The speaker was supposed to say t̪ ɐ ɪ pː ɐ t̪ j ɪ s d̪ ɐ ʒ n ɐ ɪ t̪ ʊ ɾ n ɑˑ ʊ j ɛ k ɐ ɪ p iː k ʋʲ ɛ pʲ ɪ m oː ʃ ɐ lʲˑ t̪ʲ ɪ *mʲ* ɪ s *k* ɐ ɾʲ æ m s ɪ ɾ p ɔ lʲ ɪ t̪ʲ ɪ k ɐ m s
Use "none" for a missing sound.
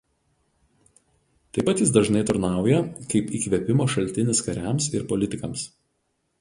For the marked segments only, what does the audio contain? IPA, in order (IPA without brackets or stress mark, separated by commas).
nʲ, k